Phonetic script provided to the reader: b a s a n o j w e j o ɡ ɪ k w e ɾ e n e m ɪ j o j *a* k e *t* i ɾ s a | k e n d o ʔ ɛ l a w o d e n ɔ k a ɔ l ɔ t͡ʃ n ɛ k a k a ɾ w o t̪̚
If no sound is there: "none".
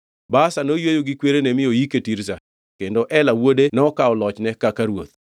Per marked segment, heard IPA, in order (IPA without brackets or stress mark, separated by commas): i, t